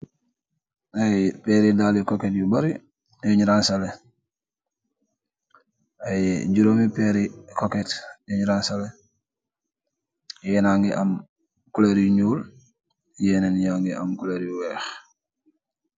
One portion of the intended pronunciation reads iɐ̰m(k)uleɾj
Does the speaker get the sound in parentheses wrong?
no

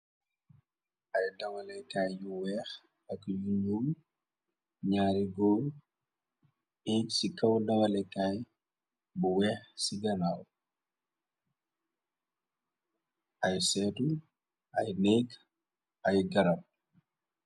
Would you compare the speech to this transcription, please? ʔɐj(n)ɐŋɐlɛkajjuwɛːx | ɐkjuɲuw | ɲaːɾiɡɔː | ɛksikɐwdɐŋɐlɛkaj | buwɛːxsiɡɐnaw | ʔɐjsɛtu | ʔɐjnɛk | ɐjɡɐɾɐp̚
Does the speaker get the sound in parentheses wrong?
yes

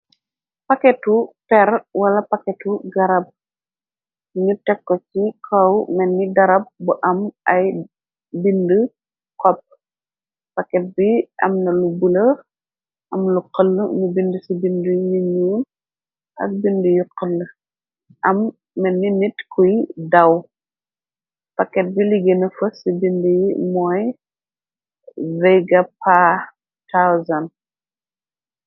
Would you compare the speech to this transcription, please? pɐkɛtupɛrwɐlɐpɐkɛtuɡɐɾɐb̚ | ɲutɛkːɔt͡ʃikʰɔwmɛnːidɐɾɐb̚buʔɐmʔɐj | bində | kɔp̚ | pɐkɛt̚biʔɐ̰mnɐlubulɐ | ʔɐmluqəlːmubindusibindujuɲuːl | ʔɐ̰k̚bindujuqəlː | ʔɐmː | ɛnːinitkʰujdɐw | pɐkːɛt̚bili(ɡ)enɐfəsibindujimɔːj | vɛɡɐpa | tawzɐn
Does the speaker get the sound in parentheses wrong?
no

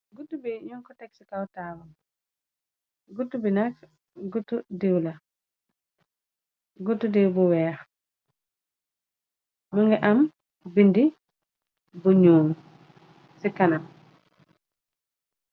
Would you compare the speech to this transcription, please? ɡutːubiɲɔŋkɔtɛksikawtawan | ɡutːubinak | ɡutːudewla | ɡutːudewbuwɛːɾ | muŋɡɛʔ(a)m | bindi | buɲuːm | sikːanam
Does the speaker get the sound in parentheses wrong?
no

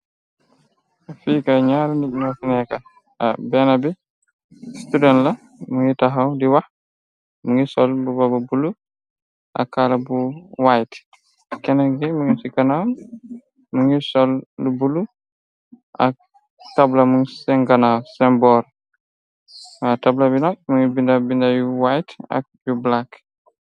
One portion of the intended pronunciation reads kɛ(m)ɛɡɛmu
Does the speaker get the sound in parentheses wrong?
yes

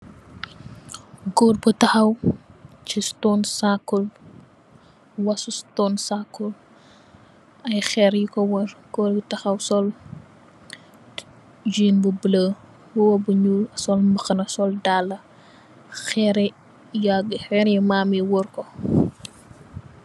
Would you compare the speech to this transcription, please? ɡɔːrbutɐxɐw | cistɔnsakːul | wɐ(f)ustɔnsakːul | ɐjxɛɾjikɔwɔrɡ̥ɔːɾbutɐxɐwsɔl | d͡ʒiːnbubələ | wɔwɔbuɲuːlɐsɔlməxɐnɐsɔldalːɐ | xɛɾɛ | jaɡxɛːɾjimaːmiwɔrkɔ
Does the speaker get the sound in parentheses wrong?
yes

